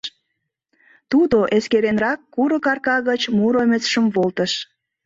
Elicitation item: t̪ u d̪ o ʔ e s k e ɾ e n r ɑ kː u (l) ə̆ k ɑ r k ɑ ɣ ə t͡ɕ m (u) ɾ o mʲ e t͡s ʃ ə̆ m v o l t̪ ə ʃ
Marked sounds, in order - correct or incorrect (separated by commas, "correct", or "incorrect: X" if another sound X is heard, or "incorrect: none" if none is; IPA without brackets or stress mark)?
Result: incorrect: ɾ, correct